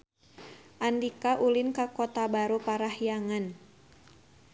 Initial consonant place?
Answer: glottal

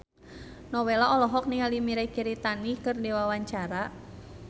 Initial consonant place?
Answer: alveolar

